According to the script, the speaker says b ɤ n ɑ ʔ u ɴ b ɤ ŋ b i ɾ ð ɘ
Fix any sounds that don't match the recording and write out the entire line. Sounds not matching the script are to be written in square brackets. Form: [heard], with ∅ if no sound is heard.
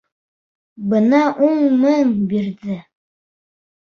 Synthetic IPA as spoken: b ɤ n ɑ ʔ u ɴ [m] ɤ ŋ b i ɾ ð ɘ